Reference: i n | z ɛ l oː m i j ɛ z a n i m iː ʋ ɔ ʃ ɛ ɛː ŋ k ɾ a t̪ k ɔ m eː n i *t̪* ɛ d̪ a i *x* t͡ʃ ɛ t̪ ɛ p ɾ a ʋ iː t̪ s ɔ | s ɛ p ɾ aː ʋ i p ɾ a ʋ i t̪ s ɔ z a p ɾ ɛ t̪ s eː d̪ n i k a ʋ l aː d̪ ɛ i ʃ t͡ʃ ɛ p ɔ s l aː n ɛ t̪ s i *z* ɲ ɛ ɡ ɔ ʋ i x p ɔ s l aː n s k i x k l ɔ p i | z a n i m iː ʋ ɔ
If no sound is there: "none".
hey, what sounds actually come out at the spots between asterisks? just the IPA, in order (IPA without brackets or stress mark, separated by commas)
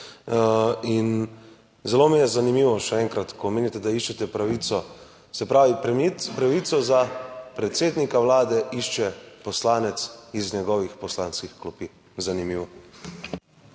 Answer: t̪, ʃ, z